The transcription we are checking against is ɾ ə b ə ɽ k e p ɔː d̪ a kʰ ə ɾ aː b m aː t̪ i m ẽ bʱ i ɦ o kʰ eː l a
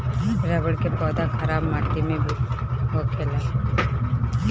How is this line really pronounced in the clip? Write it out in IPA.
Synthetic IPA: ɾ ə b ə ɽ k e p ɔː d̪ a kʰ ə ɾ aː b m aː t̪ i m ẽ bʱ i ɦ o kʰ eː l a